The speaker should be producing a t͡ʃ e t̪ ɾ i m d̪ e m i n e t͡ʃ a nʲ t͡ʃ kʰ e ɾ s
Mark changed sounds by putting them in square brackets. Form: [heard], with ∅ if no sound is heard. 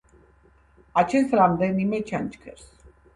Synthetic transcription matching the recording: a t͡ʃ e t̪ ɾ [a] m d̪ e [n] i [m] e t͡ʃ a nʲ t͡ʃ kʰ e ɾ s